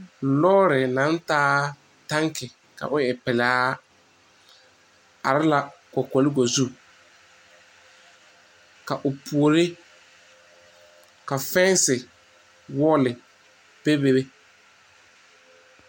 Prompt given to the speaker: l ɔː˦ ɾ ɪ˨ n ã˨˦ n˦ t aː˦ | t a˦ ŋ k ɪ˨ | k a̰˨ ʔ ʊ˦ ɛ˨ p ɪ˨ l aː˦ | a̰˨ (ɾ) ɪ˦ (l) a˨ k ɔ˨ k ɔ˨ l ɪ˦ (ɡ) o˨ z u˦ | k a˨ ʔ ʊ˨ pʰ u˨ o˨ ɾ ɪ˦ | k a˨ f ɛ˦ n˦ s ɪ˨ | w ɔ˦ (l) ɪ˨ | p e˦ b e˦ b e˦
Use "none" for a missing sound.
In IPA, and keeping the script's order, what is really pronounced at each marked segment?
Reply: ɾ, l, ɡ, l

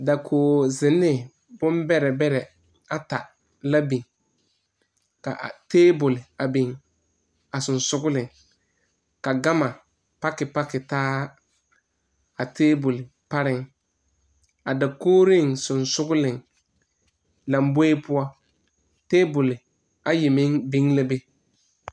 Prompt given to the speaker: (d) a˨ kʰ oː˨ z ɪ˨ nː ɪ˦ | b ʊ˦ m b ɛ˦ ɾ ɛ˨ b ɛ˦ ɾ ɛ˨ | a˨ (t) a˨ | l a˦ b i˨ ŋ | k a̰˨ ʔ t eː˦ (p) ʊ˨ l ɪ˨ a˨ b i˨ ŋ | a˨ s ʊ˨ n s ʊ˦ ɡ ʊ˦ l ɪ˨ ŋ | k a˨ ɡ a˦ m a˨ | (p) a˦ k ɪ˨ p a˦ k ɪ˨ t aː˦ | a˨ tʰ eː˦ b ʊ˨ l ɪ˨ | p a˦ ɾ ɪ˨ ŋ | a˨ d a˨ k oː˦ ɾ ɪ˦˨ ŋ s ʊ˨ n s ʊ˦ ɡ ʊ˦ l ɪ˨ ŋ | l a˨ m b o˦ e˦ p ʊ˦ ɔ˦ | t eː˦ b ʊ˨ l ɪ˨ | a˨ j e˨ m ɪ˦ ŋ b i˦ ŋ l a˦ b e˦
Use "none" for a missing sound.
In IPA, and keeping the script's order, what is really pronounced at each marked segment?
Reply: d, t, b, p

